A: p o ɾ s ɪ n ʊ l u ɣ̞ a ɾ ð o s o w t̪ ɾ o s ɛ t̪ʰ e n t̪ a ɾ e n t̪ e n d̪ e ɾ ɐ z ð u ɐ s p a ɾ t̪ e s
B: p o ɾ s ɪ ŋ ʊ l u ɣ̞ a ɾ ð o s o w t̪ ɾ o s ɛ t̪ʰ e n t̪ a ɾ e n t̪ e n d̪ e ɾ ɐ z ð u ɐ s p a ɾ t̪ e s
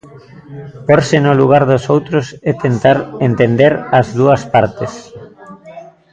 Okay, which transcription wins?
A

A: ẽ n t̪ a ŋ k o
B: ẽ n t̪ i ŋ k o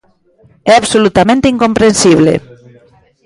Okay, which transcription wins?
B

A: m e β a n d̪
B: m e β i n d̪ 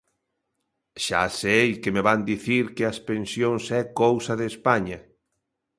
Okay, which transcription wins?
A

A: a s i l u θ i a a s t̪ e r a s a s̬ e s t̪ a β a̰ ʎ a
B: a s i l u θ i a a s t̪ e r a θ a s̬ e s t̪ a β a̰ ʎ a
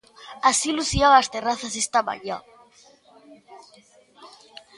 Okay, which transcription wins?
B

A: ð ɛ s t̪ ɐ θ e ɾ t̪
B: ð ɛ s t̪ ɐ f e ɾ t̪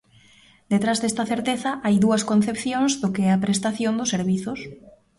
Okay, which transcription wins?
A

